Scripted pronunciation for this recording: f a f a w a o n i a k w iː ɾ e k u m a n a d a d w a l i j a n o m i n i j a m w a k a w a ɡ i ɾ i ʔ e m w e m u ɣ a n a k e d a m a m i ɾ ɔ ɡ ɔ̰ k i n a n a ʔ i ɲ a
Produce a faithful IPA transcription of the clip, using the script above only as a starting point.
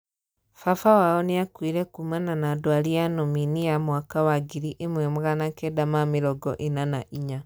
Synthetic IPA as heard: f a f a w a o n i a k w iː ɾ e k u m a n a n a d w a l i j a n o m i n i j a m w a k a w a ɡ i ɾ i ʔ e m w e m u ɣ a n a k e d a m a m i ɾ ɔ ɡ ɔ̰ ʔ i n a n a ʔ i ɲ a